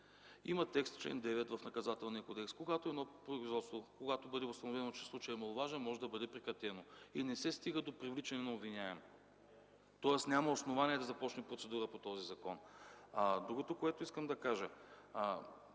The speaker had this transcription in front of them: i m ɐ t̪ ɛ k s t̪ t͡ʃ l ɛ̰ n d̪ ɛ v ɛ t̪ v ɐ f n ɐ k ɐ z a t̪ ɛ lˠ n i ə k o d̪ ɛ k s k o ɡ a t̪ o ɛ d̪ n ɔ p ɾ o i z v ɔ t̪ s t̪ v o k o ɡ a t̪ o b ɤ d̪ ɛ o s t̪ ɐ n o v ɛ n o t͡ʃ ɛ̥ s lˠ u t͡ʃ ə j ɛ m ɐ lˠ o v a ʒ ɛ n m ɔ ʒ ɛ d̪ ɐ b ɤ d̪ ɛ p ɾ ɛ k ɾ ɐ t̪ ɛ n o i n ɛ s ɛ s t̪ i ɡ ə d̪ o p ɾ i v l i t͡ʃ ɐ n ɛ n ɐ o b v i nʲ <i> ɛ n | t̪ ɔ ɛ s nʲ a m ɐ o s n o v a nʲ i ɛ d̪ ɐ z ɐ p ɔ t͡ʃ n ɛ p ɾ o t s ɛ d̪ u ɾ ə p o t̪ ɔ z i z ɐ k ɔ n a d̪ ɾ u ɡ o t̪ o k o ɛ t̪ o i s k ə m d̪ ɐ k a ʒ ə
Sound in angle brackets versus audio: incorrect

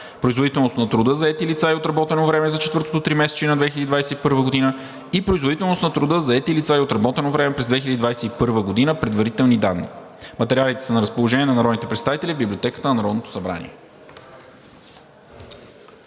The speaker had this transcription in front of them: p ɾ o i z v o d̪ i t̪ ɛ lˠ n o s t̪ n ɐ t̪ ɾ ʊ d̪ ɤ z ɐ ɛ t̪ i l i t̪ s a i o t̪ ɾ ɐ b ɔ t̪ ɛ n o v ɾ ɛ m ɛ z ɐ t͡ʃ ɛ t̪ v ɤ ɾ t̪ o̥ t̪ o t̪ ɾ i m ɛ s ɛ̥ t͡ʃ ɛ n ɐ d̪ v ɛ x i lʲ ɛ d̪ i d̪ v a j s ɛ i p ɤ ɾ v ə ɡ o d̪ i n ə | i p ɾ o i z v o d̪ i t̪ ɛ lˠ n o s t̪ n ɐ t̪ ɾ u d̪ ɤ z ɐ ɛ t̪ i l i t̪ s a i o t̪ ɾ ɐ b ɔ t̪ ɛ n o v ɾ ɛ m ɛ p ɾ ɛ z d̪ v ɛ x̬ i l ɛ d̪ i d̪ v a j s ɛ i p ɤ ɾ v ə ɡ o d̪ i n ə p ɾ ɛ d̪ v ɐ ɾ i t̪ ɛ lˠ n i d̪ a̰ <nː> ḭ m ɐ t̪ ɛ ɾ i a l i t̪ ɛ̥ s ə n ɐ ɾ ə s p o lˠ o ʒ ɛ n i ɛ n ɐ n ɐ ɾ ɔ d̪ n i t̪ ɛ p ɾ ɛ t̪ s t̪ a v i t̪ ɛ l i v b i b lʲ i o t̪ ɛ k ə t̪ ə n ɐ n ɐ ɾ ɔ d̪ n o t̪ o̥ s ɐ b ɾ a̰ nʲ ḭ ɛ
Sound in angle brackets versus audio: correct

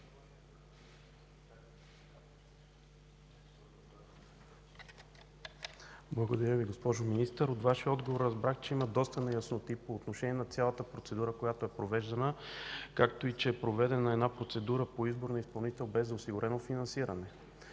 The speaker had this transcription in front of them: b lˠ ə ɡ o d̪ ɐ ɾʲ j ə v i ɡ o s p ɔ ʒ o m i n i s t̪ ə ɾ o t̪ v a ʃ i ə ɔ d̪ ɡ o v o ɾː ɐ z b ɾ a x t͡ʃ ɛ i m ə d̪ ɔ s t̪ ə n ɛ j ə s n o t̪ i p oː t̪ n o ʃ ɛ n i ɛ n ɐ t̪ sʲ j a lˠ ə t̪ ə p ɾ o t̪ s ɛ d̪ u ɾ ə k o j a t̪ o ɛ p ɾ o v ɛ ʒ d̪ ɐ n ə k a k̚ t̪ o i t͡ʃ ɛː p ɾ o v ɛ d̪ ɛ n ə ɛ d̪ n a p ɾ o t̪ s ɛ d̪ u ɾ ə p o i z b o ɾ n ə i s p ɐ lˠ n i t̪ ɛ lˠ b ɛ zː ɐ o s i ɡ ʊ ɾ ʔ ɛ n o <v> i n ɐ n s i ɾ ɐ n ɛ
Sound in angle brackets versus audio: incorrect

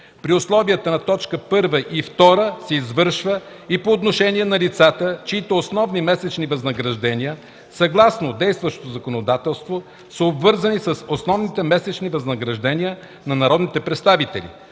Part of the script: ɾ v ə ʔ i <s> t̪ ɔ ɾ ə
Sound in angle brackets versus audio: incorrect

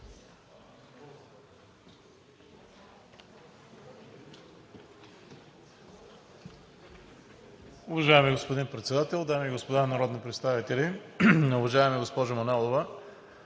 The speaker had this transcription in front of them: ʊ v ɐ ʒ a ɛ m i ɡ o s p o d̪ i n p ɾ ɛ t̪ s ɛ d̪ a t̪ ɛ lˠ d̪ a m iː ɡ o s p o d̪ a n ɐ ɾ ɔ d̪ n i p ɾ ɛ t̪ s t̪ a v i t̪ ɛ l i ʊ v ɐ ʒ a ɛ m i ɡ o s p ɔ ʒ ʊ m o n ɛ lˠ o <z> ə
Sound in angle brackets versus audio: incorrect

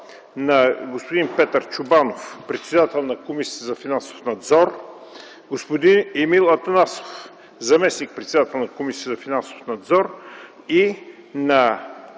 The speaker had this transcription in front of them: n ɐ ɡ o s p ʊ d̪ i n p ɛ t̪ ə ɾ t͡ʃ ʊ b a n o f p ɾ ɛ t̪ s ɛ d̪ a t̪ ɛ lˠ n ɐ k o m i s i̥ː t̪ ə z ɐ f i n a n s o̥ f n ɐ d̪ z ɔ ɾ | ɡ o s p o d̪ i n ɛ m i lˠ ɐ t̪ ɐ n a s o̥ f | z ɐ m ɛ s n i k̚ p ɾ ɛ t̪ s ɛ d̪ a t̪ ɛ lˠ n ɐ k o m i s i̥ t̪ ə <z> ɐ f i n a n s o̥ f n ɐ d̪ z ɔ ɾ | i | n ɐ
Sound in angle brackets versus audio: correct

